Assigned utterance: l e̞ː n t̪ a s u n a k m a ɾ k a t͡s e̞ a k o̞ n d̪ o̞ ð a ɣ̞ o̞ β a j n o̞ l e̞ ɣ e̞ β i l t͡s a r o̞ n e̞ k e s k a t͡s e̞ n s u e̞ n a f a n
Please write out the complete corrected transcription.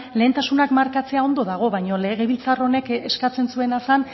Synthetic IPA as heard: l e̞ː n t̪ a s u n a k m a ɾ k a t͡s e̞ a o̞ n d̪ o̞ ð a ɣ̞ o̞ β a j ɲ o̞ l e̞ ɣ e̞ β i l t͡s a r o̞ n e̞ k e s k a t͡s e̞ n s u e̞ n a s a n